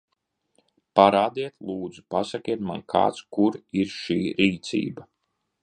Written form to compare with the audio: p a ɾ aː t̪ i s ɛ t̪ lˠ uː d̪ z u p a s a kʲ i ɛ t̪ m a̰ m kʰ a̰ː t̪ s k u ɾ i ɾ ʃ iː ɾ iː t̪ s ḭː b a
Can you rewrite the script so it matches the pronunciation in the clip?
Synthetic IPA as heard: p a ɾ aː d̪ i ɛ t̪ lˠ uː d̪ z u p a s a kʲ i ɛ t̪ m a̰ n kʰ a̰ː t̪ s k u ɾ i ɾ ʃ iː ɾ iː t̪ s ḭː b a